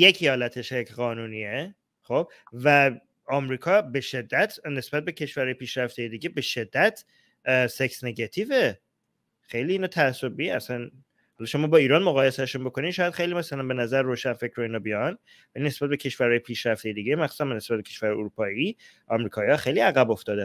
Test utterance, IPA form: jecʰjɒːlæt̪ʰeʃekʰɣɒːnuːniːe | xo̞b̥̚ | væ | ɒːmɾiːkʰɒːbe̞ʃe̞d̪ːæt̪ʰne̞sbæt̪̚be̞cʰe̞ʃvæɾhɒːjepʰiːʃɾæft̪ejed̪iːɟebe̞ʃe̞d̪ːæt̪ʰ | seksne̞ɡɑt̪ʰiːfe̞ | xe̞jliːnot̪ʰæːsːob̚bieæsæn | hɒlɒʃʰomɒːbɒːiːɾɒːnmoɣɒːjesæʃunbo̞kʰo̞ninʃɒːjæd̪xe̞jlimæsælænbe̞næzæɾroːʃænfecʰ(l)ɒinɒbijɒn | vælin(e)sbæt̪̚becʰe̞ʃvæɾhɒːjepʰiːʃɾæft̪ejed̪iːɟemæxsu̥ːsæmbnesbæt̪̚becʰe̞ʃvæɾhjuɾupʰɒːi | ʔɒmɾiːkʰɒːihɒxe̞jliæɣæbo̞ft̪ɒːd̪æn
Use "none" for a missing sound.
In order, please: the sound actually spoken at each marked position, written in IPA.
ɾ, e

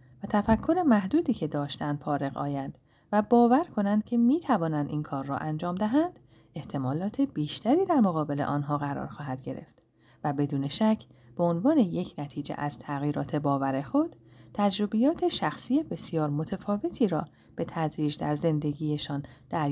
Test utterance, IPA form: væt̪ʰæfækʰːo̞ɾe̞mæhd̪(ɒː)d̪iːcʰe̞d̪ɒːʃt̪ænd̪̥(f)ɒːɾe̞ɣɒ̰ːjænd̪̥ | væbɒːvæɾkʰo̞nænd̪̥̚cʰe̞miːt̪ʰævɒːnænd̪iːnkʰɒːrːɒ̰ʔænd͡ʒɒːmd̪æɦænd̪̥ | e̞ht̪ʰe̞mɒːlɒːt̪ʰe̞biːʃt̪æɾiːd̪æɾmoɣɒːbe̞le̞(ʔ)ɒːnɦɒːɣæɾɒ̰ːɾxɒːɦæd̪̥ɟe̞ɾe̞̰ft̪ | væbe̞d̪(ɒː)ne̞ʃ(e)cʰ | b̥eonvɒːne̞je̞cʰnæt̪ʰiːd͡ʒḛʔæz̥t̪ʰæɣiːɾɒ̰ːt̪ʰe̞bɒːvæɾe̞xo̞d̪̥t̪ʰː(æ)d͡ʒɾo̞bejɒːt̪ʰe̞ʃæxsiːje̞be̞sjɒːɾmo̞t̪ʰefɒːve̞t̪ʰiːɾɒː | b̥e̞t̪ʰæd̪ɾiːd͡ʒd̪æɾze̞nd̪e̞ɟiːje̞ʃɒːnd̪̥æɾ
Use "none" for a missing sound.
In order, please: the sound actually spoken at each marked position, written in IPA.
uː, f, ʔ, uː, æ, æ

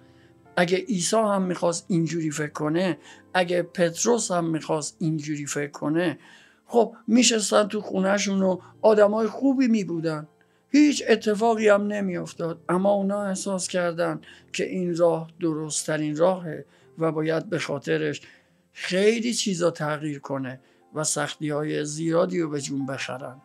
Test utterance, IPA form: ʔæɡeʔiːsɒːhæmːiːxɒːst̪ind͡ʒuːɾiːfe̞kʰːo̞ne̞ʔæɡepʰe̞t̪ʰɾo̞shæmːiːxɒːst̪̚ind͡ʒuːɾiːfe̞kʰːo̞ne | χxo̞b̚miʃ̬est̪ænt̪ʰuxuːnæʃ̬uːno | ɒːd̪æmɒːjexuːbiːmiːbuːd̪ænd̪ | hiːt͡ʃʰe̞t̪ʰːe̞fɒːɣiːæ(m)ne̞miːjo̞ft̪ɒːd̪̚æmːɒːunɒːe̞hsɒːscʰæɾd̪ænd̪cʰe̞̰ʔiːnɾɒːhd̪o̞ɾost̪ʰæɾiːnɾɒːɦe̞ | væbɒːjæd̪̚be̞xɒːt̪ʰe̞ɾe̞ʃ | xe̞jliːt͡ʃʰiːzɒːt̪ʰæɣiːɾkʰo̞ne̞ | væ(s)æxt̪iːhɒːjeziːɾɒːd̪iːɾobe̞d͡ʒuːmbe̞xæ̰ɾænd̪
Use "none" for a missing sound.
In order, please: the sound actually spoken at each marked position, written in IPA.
m, s

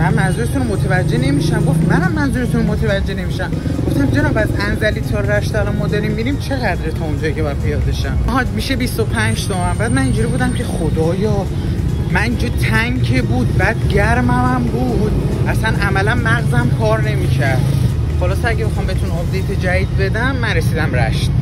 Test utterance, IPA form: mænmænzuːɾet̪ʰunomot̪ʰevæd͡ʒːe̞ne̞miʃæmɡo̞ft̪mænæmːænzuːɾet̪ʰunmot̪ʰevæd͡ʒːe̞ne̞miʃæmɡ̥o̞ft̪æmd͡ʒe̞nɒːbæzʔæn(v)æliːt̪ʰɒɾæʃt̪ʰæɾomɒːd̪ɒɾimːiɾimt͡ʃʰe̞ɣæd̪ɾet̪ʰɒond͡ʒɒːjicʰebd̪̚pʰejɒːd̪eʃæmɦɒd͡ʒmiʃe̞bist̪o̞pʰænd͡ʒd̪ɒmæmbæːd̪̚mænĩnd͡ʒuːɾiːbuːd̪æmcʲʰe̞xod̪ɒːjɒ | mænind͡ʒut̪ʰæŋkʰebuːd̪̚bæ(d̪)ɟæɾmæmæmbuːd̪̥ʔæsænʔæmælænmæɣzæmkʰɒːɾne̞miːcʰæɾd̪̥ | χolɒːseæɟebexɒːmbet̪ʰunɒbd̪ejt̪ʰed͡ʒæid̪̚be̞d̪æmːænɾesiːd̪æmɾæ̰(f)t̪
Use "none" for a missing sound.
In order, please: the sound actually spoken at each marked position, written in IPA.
z, d̪, ʃ

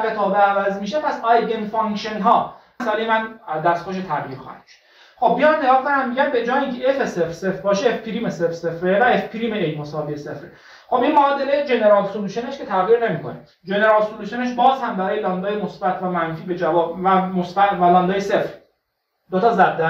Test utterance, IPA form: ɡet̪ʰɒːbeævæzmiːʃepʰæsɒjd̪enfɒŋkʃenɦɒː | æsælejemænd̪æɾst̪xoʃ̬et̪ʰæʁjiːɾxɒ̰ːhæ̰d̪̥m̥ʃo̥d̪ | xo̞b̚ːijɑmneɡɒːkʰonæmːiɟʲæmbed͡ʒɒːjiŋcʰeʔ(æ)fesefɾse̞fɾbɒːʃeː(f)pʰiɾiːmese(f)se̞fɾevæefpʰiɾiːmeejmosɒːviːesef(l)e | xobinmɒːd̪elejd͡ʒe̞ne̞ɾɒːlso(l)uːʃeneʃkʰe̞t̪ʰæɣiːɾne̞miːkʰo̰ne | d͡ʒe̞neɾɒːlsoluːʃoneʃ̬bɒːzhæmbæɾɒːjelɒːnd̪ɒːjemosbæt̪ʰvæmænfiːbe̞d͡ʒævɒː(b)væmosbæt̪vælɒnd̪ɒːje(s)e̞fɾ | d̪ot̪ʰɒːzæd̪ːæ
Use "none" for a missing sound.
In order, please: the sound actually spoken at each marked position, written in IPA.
e, f, f, ɾ, l, b, s

